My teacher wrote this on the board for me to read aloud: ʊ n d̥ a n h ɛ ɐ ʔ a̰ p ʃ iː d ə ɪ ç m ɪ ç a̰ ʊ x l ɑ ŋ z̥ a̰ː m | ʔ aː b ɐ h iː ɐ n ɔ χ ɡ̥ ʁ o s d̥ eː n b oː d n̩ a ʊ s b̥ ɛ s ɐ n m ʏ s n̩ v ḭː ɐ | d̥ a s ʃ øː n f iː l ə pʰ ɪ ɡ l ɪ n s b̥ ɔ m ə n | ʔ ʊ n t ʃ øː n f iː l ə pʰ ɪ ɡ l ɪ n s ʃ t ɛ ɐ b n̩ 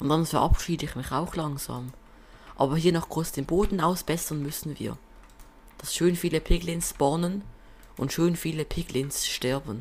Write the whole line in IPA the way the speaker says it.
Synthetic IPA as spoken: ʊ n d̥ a n f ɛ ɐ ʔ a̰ p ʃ iː d ə ɪ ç m ɪ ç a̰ ʊ x l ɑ ŋ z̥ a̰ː m | ʔ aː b ɐ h iː ɐ n ɔ χ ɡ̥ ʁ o s d̥ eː n b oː d n̩ a ʊ s b̥ ɛ s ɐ n m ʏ s n̩ v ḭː ɐ | d̥ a s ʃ øː n f iː l ə pʰ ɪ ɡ l ɪ n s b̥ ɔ n ə n | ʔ ʊ n t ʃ øː n f iː l ə pʰ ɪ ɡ l ɪ n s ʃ t ɛ ɐ b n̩